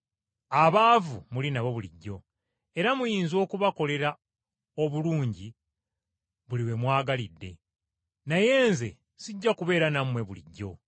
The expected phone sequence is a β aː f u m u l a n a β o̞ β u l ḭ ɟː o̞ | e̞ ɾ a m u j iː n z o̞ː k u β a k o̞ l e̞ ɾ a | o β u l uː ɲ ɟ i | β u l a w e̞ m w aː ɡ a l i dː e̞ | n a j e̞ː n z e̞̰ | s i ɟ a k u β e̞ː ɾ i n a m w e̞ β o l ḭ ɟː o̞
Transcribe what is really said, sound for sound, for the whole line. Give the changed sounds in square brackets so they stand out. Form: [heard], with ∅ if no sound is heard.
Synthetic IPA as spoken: a β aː [v] u m u l [i] n a β o̞ β u l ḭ ɟː o̞ | e̞ ɾ a m u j iː n z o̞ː k u β a k o̞ l e̞ ɾ a | o β u l uː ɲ ɟ i | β u l [i] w e̞ m w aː ɡ a l i dː e̞ | n a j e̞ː n z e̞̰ | s i [ɟː] a k u β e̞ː ɾ [a] n a m w e̞ β [u] l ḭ ɟː o̞